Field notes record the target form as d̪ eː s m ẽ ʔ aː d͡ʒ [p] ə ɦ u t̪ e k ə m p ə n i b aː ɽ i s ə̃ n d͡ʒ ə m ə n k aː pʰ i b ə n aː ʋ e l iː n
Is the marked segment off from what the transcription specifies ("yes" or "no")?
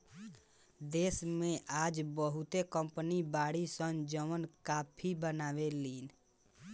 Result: yes